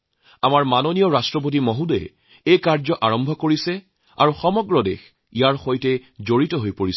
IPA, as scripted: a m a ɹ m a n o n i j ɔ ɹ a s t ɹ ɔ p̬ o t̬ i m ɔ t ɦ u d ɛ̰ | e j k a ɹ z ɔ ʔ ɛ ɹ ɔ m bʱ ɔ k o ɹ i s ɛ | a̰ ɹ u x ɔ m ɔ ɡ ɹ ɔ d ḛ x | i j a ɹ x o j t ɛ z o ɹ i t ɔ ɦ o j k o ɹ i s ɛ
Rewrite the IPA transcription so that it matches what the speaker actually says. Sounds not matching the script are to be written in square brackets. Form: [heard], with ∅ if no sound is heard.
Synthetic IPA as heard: a m a ɹ m a n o n i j ɔ ɹ a s t ɹ ɔ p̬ o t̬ i m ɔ [∅] ɦ u d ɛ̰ | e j k a ɹ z ɔ ʔ [a] ɹ ɔ m bʱ ɔ k o ɹ i s ɛ | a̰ ɹ u x ɔ m ɔ ɡ ɹ ɔ d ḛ x | i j a ɹ x o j t ɛ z o ɹ i t ɔ ɦ o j [p] o ɹ i s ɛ